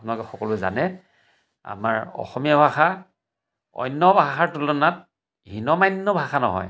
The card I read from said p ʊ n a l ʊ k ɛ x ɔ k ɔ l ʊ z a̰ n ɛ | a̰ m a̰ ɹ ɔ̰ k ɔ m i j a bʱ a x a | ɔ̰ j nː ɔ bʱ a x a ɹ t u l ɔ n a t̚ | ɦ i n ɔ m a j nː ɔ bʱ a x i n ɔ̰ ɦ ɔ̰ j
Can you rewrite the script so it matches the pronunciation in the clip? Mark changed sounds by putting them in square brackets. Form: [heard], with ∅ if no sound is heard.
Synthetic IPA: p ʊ n a l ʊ k ɛ x ɔ k ɔ l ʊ z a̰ n ɛ | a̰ m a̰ ɹ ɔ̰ [x] ɔ m i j a bʱ a x a | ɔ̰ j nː ɔ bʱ a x a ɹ t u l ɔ n a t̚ | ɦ i n ɔ m a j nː ɔ bʱ a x [a] n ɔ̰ ɦ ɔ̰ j

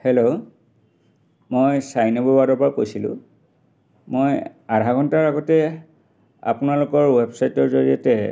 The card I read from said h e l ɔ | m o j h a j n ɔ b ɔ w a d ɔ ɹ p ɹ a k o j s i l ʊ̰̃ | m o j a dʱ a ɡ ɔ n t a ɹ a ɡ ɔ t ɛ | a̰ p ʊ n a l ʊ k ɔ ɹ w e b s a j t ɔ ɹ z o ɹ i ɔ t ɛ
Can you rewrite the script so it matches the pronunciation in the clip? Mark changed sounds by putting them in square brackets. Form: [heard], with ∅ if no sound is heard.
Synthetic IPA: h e l [o] | m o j [s] a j n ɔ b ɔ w a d ɔ ɹ p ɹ a k o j s i l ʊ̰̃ | m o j a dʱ a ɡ ɔ n t a ɹ a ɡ ɔ t ɛ | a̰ p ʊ n a l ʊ k ɔ ɹ w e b s a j t ɔ ɹ z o ɹ i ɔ t ɛ

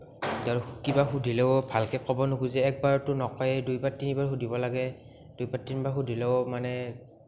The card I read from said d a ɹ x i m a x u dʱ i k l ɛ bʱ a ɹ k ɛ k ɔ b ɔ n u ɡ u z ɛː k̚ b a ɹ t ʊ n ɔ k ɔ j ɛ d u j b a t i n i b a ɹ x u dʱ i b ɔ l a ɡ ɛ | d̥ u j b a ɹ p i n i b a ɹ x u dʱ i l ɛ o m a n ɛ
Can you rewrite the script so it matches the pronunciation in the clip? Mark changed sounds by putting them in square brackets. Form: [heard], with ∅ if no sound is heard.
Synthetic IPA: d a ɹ [k] i [b] a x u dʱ i [∅] l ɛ bʱ a [l] k ɛ k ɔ b ɔ n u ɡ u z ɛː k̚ b a ɹ t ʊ n ɔ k ɔ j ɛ d u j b a t i n i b a ɹ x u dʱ i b ɔ l a ɡ ɛ | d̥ u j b a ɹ [t] i n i b a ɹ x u dʱ i l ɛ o m a n ɛ

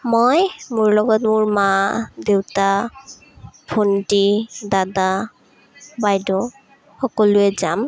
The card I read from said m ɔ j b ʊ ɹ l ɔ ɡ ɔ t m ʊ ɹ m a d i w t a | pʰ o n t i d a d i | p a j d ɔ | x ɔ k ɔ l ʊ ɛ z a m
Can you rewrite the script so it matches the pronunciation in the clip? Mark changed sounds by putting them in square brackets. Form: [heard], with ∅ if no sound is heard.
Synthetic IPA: m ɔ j [m] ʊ ɹ l ɔ ɡ ɔ t m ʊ ɹ m a d [e] w t a | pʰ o n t i d a d [a] | [b] a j d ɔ | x ɔ k ɔ l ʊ ɛ z a m

